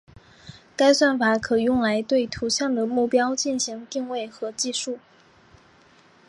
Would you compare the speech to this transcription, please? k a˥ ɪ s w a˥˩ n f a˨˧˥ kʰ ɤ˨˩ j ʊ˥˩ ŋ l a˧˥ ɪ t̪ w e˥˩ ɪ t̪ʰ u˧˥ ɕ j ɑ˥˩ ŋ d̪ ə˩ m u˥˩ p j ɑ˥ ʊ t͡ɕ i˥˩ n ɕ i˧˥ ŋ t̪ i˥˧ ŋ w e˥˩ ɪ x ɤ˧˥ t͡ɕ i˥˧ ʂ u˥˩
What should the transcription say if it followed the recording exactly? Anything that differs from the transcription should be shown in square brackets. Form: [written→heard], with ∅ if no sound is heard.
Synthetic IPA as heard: k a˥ ɪ s w a˥˩ n f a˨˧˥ kʰ ɤ˨˩ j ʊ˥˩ ŋ l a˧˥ ɪ t̪ w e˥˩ ɪ t̪ʰ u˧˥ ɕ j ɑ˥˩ ŋ d̪ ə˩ m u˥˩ p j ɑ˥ ʊ t͡ɕ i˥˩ n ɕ i˧˥ ŋ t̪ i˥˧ ŋ w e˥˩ ɪ x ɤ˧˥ t͡ɕ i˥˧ ʂ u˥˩